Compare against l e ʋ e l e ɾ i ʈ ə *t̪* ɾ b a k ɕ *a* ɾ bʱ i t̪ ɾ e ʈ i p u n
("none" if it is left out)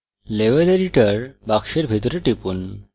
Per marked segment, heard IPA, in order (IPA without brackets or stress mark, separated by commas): none, e